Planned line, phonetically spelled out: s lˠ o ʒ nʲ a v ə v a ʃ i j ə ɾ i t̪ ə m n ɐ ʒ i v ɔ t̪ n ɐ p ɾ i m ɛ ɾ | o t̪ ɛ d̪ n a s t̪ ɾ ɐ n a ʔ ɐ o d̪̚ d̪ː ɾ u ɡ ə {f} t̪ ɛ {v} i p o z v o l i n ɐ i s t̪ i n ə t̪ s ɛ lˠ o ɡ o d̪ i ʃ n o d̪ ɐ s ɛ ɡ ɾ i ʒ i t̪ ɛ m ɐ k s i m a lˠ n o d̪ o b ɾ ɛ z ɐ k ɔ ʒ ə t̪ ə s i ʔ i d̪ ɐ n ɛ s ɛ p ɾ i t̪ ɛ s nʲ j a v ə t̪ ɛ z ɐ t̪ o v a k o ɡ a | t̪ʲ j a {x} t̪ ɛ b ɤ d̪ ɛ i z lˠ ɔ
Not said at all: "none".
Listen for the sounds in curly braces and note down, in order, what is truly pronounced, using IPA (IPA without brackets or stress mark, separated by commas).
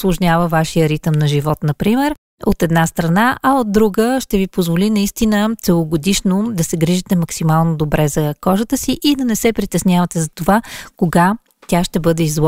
ʃ, v, ʃ